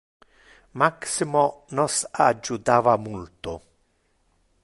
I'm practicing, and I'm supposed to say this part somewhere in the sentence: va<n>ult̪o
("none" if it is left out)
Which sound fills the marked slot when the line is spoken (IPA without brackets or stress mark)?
m